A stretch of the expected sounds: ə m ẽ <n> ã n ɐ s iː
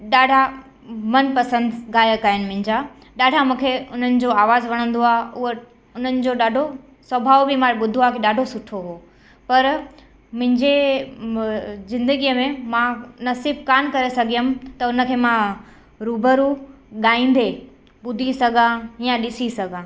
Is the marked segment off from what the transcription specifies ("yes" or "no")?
yes